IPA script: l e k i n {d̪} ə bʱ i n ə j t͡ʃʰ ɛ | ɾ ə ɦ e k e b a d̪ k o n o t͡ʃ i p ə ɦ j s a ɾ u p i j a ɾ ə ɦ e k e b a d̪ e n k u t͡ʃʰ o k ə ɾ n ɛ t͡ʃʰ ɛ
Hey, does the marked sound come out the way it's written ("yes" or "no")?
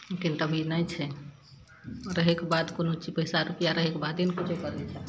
no